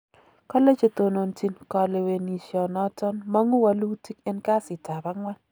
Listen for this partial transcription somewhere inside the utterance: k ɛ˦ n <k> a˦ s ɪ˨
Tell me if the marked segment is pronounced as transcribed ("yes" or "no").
yes